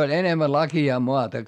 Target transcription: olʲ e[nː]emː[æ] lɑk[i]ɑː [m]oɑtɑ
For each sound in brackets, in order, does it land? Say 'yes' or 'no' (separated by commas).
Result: no, yes, yes, yes